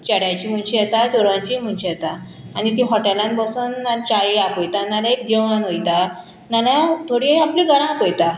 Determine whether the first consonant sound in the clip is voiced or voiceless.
voiceless